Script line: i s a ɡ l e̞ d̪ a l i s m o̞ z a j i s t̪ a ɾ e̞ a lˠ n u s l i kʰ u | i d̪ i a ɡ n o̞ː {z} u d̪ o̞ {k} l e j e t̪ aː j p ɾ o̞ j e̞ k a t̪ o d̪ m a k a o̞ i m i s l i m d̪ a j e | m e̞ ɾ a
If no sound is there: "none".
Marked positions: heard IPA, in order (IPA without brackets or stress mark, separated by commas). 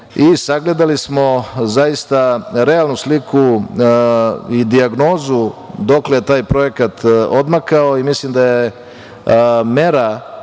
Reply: z, k